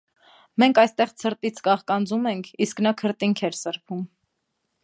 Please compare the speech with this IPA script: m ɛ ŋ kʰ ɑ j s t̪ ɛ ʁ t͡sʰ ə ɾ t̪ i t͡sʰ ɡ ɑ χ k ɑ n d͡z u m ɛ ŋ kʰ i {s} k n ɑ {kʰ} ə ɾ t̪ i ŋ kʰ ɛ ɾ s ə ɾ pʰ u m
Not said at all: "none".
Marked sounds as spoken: s, kʰ

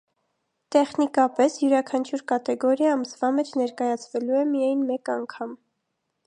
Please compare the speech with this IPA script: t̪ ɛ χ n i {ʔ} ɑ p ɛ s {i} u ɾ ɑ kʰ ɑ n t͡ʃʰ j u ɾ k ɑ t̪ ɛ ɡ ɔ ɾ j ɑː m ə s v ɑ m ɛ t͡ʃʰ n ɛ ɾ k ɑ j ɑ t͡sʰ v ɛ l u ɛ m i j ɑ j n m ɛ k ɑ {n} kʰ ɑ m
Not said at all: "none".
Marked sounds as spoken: k, j, ŋ

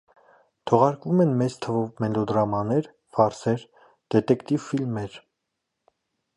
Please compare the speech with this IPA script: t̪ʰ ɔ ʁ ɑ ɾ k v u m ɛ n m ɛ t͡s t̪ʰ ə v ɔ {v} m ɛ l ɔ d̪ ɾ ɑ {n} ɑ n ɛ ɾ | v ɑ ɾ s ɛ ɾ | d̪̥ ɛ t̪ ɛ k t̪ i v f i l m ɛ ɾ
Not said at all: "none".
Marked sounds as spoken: v, m

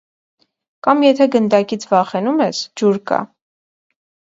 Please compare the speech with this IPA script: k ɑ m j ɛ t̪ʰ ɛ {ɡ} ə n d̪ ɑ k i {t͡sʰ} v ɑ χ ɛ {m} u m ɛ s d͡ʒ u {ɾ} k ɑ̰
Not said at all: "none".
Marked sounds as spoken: ɡ, t͡sʰ, n, ɾ

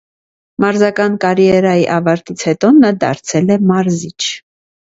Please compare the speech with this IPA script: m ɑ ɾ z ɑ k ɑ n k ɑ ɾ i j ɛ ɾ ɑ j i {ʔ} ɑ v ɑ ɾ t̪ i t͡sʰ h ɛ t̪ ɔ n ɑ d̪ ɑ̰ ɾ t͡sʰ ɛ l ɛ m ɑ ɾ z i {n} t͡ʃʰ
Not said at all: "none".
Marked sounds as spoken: ʔ, none

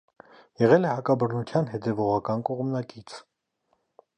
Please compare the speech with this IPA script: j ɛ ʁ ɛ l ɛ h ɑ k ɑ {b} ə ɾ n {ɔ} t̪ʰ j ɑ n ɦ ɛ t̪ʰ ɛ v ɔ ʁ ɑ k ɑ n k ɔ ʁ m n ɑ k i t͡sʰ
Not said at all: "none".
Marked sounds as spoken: b, u

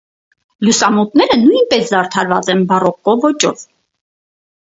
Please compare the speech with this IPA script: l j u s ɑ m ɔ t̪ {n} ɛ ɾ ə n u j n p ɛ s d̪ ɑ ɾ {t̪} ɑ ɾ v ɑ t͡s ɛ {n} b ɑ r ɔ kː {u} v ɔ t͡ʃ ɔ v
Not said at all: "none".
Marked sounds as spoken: n, t̪ʰ, n, ɔ

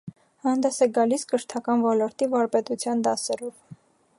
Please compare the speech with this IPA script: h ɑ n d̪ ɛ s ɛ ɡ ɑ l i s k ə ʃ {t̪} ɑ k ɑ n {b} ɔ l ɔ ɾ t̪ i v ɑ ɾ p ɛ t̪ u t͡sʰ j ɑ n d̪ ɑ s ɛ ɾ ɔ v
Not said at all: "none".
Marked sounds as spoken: t̪ʰ, v

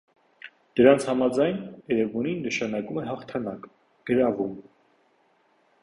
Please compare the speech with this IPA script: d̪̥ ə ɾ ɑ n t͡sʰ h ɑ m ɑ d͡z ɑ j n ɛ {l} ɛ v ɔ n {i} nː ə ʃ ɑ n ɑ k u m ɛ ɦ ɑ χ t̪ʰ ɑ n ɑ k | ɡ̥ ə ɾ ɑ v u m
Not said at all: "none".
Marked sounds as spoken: ɾ, i

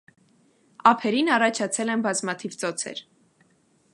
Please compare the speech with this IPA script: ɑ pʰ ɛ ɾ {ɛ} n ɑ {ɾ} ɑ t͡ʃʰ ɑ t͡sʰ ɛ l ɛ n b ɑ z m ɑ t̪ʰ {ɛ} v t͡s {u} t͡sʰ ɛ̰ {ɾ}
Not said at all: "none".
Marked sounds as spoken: i, r, i, ɔ, ɾ

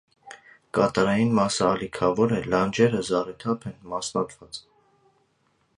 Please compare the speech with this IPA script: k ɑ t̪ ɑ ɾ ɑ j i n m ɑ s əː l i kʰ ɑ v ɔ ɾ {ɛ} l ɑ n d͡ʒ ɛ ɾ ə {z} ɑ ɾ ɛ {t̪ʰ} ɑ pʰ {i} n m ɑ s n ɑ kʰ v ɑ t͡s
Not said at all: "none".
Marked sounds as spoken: ɛ, z, t̪ʰ, ɛ

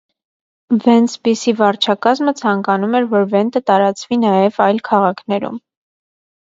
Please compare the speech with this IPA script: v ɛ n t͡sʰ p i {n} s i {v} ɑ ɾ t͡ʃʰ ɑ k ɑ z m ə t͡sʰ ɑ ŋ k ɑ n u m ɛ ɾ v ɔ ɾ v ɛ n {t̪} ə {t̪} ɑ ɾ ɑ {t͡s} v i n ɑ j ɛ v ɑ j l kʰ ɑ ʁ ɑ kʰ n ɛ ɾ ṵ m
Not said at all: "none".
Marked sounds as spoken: none, v, t̪, t̪, t͡s

